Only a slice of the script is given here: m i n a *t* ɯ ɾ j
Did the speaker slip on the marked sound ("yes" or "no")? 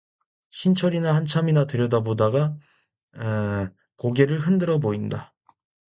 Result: no